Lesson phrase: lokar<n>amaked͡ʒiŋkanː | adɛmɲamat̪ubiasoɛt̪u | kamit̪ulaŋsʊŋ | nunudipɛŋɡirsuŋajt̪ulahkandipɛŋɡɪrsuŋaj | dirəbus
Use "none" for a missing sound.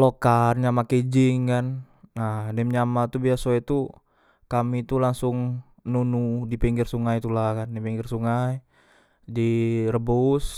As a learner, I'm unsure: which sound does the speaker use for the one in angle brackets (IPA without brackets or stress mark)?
ɲ